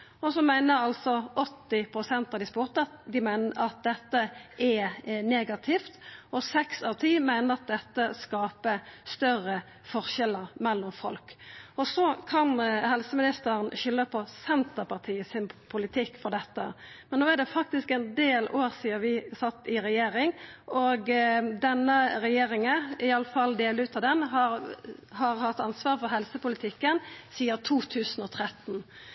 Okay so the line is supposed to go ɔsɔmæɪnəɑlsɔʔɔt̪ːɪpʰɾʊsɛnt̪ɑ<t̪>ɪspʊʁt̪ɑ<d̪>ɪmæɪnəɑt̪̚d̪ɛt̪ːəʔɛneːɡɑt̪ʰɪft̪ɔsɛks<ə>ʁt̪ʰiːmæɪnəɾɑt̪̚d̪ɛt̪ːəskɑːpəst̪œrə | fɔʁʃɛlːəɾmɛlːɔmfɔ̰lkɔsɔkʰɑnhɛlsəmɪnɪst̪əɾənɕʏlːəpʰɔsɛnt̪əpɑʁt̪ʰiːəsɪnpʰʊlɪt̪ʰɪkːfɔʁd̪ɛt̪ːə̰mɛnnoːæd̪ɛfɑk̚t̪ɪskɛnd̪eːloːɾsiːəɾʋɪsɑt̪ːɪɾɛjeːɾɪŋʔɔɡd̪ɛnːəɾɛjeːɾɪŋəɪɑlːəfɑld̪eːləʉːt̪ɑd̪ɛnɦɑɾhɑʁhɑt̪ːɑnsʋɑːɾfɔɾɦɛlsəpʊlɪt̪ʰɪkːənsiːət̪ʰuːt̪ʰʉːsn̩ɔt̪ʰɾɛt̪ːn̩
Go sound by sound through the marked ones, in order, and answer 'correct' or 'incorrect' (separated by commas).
incorrect, correct, incorrect